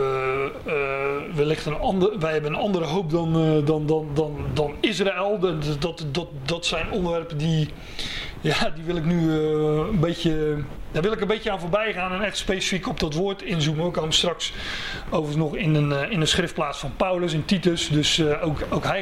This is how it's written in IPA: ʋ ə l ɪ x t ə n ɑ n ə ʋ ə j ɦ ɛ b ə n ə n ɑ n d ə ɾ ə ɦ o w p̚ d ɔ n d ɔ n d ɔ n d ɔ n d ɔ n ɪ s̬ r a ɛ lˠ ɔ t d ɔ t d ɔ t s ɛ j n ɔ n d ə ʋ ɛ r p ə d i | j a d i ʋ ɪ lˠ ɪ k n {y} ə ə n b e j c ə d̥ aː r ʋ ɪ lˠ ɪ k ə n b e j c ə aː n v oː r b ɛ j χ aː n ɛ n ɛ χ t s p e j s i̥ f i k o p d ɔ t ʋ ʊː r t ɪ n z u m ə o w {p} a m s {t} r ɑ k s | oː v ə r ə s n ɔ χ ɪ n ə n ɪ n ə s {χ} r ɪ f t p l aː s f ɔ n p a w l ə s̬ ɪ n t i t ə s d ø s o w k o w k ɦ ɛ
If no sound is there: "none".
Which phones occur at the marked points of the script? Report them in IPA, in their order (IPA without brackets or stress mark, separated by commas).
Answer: y, k, t, χ